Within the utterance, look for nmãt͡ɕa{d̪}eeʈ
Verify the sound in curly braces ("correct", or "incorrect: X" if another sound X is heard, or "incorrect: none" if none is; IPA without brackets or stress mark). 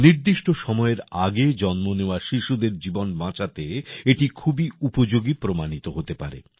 incorrect: t̪